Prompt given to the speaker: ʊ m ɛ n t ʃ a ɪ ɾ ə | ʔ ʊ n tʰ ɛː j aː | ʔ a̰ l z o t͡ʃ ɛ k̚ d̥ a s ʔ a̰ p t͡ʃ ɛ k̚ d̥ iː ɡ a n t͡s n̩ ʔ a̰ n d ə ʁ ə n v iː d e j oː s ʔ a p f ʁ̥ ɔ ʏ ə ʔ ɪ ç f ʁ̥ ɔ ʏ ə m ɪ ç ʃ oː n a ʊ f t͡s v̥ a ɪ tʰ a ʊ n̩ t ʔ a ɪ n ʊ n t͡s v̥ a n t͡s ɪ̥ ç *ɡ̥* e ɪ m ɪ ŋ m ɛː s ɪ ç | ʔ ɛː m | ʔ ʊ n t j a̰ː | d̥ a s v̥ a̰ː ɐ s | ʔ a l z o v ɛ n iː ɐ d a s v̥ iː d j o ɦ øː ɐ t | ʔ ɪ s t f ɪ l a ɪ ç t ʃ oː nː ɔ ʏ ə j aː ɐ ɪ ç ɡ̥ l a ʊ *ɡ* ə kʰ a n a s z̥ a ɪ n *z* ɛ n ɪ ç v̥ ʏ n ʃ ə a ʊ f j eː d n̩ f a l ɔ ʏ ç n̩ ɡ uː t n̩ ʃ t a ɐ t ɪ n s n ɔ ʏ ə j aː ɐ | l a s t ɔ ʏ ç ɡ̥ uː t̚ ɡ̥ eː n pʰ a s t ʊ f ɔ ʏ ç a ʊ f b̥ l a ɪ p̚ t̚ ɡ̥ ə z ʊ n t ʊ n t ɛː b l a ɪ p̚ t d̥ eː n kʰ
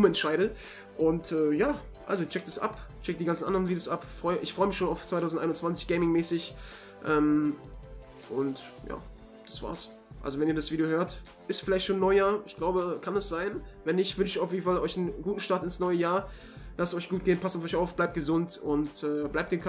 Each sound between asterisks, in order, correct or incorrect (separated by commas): correct, incorrect, incorrect